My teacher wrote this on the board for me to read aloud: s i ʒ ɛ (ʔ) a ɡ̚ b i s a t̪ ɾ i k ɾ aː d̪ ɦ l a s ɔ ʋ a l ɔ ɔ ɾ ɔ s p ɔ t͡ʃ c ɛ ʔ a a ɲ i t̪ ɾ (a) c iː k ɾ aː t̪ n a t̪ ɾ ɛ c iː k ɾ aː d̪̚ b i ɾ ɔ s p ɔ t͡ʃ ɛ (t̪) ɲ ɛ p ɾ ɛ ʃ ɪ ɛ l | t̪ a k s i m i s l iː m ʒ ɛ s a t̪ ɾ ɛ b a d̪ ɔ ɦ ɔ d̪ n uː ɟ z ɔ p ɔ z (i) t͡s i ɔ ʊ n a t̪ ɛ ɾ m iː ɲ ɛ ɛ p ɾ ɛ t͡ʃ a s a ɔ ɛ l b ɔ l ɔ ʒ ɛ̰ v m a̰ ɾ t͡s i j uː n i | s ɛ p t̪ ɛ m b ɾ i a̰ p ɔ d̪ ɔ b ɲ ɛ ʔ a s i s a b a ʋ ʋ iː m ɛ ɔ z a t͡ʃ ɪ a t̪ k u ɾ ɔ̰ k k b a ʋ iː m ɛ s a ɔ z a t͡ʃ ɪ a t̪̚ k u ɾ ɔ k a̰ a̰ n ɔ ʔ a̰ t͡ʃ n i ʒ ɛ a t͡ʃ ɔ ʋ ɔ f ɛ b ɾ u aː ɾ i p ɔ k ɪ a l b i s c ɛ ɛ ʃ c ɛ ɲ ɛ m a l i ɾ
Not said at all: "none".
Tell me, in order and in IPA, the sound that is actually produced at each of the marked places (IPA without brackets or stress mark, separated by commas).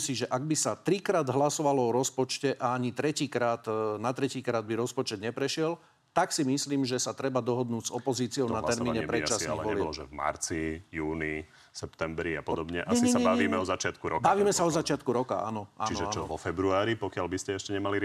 ʔ, ɛ, d̪, iː